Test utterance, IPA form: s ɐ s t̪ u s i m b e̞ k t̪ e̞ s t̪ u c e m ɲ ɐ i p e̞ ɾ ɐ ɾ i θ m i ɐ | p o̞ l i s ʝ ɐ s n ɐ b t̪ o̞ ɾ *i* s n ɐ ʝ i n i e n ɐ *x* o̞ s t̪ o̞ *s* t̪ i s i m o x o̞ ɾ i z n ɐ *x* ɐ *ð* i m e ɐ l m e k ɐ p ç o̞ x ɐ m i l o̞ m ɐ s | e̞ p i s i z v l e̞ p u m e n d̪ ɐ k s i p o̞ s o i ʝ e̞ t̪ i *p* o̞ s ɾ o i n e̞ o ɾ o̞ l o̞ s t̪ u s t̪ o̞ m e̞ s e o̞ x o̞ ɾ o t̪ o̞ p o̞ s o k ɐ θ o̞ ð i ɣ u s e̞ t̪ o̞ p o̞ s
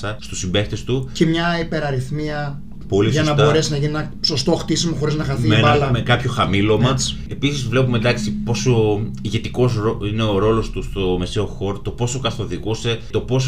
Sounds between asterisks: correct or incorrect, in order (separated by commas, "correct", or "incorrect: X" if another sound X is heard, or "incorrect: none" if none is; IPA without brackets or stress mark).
incorrect: e, incorrect: s, incorrect: x, correct, incorrect: θ, incorrect: k